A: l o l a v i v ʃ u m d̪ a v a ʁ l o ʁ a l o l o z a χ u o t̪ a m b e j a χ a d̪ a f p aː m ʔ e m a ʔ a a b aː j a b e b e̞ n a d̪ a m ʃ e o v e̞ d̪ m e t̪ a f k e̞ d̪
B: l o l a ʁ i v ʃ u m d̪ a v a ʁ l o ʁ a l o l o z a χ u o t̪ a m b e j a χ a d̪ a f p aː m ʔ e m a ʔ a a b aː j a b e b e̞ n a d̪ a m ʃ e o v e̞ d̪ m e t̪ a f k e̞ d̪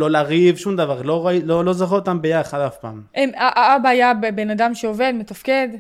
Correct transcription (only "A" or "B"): B